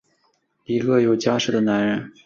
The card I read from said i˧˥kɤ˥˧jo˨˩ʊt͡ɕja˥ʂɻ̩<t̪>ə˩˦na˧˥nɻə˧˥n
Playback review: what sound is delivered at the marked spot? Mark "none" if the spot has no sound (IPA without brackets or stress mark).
d̪